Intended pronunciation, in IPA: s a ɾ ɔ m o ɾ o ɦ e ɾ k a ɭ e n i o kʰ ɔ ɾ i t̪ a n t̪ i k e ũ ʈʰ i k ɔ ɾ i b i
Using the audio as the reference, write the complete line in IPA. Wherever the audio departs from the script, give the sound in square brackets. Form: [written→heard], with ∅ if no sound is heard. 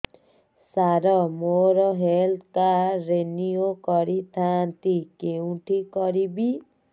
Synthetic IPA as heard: s a ɾ ɔ m o ɾ [o→ɔ] ɦ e [ɾ→l] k a [ɭ→ɾ] e n i o [kʰ→k] ɔ ɾ i [t̪→t̪ʰ] a n t̪ i k e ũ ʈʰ i k ɔ ɾ i b i